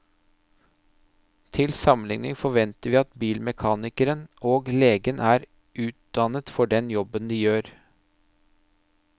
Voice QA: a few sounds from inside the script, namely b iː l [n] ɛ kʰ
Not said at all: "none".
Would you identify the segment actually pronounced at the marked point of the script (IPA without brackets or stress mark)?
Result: m